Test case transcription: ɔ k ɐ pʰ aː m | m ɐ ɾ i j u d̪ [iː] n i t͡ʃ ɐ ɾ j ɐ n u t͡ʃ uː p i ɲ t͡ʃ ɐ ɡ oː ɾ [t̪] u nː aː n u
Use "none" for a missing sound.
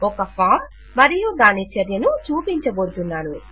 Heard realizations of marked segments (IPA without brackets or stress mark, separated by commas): aː, t̪